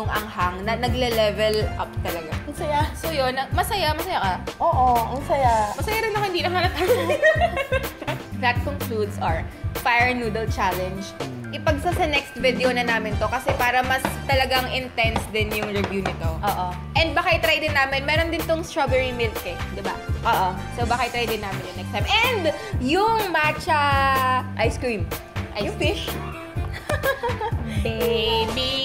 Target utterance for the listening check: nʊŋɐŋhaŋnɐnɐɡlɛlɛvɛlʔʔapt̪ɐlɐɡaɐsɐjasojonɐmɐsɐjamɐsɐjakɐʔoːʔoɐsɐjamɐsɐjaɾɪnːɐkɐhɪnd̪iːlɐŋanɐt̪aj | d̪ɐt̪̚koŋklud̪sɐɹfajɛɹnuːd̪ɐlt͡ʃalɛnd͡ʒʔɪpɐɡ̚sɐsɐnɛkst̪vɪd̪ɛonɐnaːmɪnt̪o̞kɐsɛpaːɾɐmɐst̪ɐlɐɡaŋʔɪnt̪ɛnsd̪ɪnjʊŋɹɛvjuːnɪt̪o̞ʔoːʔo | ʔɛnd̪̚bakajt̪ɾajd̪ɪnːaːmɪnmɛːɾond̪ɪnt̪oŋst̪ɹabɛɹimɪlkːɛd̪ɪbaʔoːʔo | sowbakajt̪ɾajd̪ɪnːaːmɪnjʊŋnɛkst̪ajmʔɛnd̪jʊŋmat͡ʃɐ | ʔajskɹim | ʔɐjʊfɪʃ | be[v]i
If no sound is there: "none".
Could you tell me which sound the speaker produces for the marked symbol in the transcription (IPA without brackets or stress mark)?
b